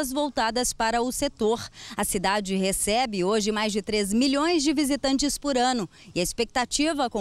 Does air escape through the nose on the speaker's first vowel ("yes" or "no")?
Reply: no